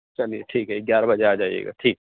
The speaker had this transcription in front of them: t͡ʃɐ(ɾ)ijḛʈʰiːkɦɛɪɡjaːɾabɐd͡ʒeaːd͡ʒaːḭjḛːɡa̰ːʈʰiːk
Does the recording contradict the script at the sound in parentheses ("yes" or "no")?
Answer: yes